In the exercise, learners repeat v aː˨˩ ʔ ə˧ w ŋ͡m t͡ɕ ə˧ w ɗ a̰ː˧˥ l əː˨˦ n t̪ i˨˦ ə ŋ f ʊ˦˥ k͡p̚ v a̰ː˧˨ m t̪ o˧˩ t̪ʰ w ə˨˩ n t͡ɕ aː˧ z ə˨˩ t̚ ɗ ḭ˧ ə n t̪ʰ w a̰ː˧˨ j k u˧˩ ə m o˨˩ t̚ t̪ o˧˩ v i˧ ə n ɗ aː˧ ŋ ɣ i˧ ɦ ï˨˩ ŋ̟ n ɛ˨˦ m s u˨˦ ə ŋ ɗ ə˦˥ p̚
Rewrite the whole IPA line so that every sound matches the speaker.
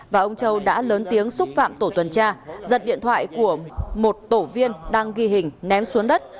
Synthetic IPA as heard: v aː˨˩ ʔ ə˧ w ŋ͡m t͡ɕ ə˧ w ɗ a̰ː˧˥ l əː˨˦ n t̪ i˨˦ ə ŋ s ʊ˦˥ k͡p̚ f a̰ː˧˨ m t̪ o˧˩ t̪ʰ w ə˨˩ n t͡ɕ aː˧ z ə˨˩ t̚ ɗ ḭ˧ ə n t̪ʰ w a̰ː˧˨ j k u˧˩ ə m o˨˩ t̚ t̪ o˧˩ v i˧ ə n ɗ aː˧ ŋ ɣ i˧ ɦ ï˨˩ ŋ̟ n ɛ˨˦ m s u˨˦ ə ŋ ɗ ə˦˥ t̚